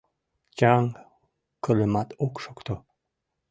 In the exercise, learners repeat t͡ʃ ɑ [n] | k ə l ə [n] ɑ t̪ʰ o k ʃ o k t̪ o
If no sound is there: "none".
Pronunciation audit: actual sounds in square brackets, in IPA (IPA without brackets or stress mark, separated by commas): ŋ, m